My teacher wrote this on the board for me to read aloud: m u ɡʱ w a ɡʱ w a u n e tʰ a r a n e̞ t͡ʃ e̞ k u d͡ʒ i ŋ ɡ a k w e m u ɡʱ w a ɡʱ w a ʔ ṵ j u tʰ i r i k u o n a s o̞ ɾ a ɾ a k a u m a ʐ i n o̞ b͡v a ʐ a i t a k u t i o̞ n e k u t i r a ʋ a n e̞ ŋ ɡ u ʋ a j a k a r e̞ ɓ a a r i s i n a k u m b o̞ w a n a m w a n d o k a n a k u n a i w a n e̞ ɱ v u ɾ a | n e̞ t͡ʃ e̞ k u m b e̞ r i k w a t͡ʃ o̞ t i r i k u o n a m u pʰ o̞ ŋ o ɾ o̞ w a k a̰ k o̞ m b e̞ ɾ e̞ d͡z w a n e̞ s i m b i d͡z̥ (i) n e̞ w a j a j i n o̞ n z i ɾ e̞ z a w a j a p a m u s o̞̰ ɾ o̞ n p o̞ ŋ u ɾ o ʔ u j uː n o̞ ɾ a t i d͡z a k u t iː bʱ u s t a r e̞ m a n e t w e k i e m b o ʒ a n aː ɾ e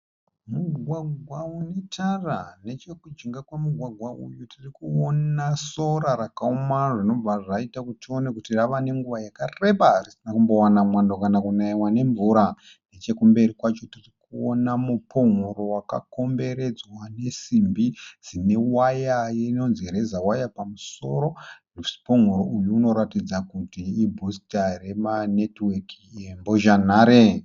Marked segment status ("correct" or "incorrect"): correct